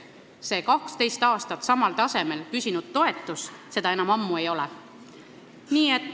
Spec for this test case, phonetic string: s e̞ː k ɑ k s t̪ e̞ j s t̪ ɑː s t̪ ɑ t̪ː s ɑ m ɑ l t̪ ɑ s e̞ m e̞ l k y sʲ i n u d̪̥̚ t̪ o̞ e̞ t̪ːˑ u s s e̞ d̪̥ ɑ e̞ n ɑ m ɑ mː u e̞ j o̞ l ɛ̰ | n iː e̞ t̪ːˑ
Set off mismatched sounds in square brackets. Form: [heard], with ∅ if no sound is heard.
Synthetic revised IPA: s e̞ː k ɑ k s t̪ e̞ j s t̪ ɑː s t̪ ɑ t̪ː s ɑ m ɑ l t̪ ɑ s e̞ m e̞ l k y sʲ i n u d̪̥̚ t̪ o̞ e̞ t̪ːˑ u s s e̞ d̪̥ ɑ e̞ n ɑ m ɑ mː u e̞ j o̞ l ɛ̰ | n iː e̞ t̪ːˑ